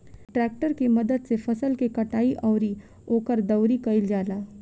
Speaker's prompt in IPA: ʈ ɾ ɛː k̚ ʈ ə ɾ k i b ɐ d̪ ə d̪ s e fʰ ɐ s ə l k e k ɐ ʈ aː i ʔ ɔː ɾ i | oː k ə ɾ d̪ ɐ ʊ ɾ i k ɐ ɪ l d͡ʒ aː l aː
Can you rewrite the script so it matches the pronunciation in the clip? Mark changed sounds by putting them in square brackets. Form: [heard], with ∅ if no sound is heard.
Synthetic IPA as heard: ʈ ɾ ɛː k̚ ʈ ə ɾ k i [m] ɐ d̪ ə d̪ s e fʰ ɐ s ə l k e k ɐ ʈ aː i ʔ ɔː ɾ i | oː k ə ɾ d̪ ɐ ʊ ɾ i k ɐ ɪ l d͡ʒ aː l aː